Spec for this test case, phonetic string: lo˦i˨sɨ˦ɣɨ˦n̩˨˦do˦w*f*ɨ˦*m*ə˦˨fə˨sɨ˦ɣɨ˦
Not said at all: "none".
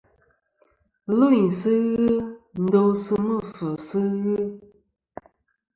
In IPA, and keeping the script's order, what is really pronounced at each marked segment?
s, m

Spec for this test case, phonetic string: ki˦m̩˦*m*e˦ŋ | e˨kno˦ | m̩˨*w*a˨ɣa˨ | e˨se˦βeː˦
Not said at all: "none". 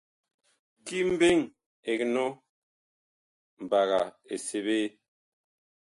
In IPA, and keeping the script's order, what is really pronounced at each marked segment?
b, b

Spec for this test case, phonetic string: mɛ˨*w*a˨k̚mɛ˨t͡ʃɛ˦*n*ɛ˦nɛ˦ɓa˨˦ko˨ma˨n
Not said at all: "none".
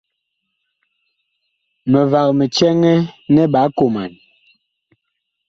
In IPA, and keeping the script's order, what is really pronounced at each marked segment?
v, ŋ

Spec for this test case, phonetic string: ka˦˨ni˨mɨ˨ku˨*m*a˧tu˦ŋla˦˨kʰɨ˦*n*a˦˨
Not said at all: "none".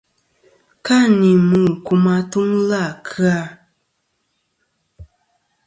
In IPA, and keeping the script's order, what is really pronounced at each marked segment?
m, none

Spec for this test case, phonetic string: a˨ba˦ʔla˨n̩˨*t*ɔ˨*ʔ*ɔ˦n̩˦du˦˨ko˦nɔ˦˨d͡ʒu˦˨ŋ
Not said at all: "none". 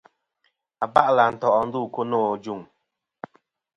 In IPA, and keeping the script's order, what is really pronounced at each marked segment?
t, ʔ

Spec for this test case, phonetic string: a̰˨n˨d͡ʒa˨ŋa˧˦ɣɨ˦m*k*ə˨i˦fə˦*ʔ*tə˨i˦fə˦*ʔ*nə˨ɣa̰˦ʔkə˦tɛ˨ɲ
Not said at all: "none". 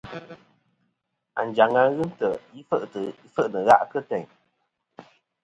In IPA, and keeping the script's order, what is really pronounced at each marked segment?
t, ʔ, ʔ

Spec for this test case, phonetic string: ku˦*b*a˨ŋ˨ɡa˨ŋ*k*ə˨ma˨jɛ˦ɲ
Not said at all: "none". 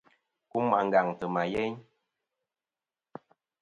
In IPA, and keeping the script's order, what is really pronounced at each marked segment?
m, t

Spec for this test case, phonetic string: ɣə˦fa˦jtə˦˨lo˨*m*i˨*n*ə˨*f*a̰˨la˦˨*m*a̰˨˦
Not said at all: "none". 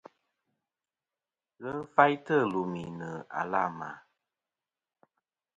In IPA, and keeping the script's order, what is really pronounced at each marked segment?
m, n, none, m

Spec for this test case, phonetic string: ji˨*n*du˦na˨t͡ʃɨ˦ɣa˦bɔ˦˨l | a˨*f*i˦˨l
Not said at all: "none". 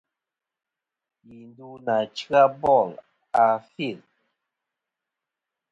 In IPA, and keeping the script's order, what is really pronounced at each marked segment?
n, f

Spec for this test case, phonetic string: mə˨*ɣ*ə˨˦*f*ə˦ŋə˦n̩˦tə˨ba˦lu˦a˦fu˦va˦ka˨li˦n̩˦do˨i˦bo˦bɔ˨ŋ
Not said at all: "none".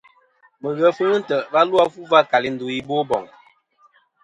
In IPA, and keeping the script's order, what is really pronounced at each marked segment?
ɣ, f

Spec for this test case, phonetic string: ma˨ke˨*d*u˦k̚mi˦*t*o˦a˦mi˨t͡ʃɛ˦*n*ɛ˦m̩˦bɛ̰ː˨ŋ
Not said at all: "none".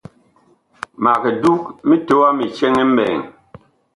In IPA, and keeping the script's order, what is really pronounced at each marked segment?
d, t, ŋ

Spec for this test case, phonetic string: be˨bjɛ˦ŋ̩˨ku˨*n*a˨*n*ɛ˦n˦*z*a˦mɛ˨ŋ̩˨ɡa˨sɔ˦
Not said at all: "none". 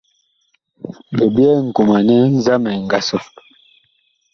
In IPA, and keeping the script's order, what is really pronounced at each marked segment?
m, n, z

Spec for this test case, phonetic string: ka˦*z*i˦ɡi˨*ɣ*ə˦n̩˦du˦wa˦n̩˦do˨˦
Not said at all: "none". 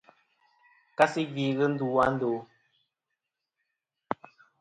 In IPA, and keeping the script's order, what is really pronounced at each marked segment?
s, ɣ

